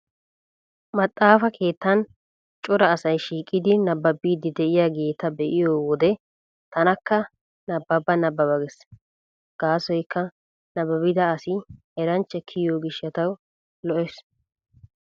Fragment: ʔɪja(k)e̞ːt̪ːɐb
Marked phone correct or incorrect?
incorrect